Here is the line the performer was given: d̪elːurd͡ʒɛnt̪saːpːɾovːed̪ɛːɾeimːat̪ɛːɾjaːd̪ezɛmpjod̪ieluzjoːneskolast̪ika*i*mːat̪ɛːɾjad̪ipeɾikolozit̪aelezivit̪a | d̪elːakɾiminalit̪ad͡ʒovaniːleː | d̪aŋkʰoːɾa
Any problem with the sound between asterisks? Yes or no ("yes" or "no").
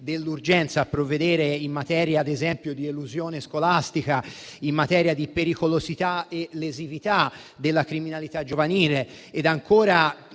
no